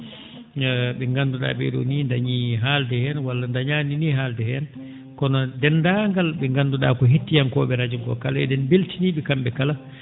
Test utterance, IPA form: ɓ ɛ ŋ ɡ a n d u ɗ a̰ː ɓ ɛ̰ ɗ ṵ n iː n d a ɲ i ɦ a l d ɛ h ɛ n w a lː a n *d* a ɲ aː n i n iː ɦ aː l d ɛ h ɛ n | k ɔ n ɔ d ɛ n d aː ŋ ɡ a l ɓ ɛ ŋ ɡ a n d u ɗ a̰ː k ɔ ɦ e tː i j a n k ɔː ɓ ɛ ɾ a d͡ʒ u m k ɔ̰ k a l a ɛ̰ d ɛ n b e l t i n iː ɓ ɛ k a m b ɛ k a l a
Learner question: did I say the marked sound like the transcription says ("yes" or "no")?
yes